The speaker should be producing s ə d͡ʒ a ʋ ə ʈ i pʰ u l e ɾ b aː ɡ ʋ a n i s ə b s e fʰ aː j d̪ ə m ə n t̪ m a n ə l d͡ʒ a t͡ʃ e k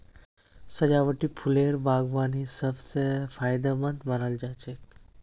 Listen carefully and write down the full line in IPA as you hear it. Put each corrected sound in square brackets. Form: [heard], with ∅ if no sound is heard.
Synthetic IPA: s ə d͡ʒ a ʋ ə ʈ i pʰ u l e ɾ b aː ɡ ʋ a n i s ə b s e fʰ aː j d̪ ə m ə n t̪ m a n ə l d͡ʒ a t͡ʃ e k